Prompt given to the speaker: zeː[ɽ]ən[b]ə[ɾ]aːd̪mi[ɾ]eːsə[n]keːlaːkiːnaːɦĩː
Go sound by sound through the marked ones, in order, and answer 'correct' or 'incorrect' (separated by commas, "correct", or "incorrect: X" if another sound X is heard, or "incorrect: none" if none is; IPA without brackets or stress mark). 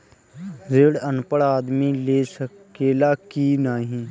correct, incorrect: p, incorrect: ɽ, incorrect: l, incorrect: none